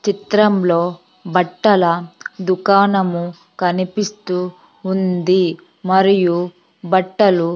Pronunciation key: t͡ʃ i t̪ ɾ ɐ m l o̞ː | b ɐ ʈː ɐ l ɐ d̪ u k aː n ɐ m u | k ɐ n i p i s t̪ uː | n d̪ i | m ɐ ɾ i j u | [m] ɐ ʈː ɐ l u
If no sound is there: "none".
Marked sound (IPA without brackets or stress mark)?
b